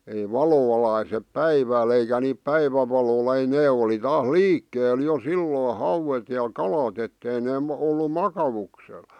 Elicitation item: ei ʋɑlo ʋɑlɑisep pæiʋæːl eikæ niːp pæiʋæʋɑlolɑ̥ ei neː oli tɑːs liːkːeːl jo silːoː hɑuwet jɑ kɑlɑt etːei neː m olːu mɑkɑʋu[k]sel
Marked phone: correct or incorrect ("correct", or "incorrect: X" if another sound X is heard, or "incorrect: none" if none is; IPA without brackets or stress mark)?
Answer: correct